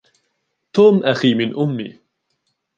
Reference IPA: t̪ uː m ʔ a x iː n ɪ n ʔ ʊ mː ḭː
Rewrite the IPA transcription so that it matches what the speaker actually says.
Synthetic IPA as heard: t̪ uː m ʔ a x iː m ɪ n ʔ ʊ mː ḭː